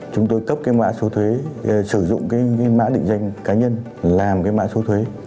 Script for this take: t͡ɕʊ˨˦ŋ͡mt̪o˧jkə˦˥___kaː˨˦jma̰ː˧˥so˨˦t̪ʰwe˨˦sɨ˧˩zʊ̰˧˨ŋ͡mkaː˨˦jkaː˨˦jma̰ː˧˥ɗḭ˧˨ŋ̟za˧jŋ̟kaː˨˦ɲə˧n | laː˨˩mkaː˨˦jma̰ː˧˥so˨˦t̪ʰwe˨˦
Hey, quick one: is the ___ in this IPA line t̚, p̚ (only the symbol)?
p̚